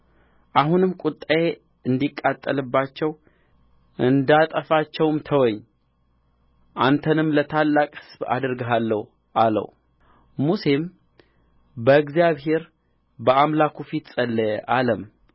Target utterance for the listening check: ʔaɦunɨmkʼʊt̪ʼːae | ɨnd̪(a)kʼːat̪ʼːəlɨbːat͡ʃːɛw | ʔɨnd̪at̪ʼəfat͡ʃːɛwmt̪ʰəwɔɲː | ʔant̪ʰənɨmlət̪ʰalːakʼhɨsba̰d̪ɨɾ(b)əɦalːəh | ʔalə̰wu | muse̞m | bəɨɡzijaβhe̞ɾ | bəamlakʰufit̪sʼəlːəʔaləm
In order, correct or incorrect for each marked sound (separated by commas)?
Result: incorrect, incorrect